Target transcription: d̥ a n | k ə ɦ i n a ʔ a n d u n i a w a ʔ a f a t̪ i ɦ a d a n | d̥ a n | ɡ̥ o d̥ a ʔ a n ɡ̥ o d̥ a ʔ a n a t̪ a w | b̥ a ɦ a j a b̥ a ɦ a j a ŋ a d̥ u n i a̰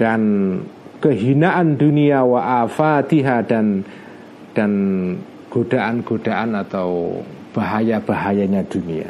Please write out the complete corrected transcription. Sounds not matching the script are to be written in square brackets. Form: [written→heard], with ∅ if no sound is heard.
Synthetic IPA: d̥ a n | k ə ɦ i n a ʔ a n d u n i a w a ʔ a f a t̪ i ɦ a d a n | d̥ a n | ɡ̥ o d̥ a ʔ a n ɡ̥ o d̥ a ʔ a n a t̪ a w | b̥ a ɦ a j a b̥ a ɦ a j a [ŋ→ɲ] a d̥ u n i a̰